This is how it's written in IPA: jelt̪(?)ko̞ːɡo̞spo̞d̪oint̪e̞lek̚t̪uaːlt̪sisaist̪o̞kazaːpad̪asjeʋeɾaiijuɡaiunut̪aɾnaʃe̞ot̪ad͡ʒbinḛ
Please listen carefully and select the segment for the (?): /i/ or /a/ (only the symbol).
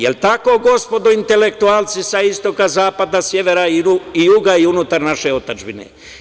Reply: a